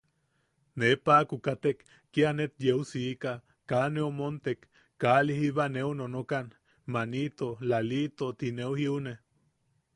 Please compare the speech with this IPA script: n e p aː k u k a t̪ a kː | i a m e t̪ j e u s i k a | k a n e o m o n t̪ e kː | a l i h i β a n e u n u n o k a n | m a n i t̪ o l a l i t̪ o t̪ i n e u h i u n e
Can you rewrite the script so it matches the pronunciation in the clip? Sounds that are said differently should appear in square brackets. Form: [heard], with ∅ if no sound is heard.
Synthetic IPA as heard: n e p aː k u k a t̪ [e] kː | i a [n] e t̪ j e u s i k a | k a n e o m o n t̪ e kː | a l i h i β a n e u n [o] n o k a n | m a n i t̪ o l a l i t̪ o t̪ i n e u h i u n e

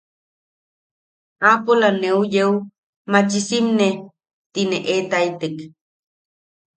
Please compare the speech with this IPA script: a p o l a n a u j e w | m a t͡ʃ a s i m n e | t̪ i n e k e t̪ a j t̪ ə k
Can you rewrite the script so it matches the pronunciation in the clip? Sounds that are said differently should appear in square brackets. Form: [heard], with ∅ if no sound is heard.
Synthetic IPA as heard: a p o l a n [e] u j e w | m a t͡ʃ [i] s i m n e | t̪ i n e [ʔ] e t̪ a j t̪ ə k

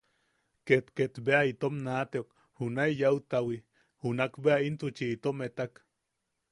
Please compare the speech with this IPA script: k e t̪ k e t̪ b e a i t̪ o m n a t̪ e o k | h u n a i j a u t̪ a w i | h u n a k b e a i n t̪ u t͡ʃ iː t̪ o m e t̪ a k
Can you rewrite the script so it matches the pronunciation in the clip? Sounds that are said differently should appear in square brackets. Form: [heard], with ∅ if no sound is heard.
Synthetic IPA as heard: k e t̪ k e t̪ b e a i t̪ o m n a t̪ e o k | h u n a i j a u t̪ a w i | h u n a k b e a i n t̪ u t͡ʃ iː t̪ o m e t̪ a k

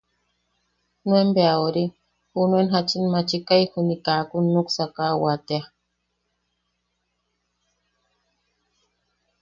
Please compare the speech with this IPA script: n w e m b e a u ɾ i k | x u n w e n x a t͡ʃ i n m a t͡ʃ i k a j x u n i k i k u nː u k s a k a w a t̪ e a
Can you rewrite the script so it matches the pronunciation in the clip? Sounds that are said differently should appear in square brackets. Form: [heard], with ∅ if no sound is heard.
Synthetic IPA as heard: n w e m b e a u ɾ i [∅] | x u n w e n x a t͡ʃ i n m a t͡ʃ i k a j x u n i k [a] k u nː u k s a k a w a t̪ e a

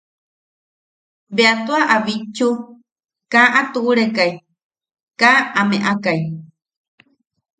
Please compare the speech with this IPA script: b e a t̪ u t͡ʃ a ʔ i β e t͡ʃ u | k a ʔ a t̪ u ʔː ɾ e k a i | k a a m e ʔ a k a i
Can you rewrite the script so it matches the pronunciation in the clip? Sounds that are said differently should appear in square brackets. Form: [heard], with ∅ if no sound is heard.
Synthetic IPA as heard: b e a t̪ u [∅] a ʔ [a] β [i] t͡ʃ u | k a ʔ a t̪ u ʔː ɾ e k a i | k a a m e ʔ a k a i

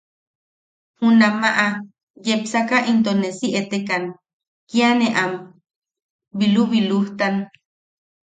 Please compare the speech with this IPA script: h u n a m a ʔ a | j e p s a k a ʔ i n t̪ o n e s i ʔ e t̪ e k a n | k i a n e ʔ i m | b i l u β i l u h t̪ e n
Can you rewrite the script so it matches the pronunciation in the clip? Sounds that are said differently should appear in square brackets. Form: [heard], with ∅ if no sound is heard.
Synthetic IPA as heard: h u n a m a ʔ a | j e p s a k a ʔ i n t̪ o n e s i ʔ e t̪ e k a n | k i a n e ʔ [a] m | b i l u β i l u h t̪ [a] n

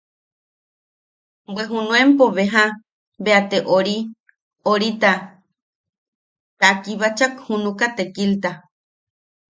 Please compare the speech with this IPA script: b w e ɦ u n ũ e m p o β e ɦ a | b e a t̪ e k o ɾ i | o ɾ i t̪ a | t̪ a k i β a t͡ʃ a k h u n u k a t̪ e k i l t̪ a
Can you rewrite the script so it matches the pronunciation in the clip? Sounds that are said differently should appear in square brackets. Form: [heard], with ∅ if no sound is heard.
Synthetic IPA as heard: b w e ɦ u n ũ e m p o β e ɦ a | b e a t̪ e [ʔ] o ɾ i | o ɾ i t̪ a | t̪ a k i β a t͡ʃ a k h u n u k a t̪ e k i l t̪ a

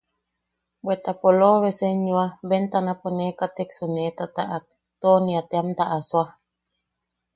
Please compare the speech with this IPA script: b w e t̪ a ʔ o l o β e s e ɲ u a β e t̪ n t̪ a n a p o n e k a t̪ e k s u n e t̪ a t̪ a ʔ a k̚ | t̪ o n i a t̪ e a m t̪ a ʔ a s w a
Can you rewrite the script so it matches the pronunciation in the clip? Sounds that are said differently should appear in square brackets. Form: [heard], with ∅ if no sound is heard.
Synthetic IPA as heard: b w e t̪ a [p] o l o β e s e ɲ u a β e [∅] n t̪ a n a p o n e k a t̪ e k s u n e t̪ a t̪ a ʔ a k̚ | t̪ o n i a t̪ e a m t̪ a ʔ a s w a

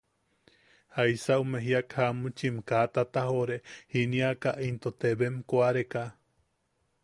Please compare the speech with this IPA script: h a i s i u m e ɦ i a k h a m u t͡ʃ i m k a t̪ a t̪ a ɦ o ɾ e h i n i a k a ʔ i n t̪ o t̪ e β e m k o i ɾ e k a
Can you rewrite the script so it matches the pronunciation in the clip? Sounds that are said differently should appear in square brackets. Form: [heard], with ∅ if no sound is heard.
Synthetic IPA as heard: h a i s [a] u m e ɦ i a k h a m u t͡ʃ i m k a t̪ a t̪ a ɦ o ɾ e h i n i a k a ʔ i n t̪ o t̪ e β e m k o [a] ɾ e k a

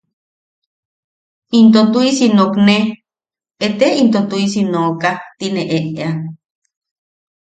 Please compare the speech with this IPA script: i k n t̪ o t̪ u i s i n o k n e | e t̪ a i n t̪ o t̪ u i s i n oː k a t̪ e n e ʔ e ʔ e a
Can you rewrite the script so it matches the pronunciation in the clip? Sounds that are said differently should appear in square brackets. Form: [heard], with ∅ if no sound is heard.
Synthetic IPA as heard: i [∅] n t̪ o t̪ u i s i n o k n e | e t̪ [e] i n t̪ o t̪ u i s i n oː k a t̪ [i] n e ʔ e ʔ e a

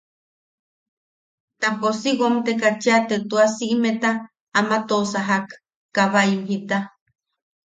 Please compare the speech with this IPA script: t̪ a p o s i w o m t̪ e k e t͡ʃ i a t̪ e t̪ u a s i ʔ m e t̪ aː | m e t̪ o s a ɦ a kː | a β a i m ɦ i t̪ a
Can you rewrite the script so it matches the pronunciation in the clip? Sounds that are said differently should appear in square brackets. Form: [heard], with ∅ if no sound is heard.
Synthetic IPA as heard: t̪ a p o s i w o m t̪ e k [a] t͡ʃ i a t̪ e t̪ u a s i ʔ m e t̪ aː | m [a] t̪ o s a ɦ a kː | a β a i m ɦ i t̪ a

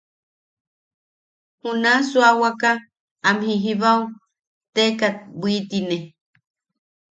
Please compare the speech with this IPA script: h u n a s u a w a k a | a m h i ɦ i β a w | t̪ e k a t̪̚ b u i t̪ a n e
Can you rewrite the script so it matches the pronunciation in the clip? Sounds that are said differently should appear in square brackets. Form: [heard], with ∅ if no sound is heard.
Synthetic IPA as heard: h u n a s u a w a k a | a m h i ɦ i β a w | t̪ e k a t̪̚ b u i t̪ [i] n e

